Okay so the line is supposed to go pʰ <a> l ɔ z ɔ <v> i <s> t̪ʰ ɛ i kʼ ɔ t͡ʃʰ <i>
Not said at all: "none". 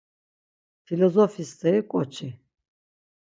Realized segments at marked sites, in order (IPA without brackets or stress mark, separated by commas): i, f, s, i